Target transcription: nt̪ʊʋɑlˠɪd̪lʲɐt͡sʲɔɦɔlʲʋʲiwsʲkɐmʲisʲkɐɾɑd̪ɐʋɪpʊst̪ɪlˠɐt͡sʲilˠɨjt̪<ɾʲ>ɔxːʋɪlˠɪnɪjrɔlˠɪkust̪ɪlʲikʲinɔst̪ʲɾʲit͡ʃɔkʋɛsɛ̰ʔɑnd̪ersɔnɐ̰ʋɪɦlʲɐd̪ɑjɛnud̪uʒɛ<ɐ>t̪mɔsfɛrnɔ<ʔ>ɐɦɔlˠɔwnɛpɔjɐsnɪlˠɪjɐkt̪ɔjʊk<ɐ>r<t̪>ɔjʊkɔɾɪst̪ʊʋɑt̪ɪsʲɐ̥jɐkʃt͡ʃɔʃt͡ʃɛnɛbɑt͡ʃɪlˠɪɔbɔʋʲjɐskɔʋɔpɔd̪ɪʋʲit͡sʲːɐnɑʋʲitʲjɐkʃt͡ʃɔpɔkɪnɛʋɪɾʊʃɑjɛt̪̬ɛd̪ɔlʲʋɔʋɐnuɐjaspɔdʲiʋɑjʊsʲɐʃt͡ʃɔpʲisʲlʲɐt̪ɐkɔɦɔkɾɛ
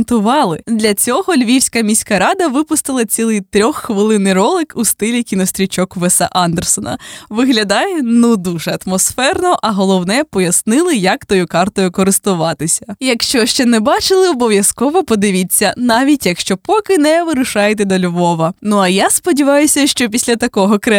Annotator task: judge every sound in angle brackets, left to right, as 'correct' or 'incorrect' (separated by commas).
correct, correct, correct, incorrect, correct